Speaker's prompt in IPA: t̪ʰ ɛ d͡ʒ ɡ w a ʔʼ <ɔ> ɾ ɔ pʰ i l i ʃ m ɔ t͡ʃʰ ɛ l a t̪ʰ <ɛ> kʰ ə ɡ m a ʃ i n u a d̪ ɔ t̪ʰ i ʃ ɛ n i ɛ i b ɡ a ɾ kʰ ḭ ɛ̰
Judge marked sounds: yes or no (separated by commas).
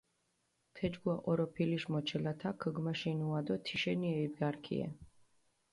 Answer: yes, no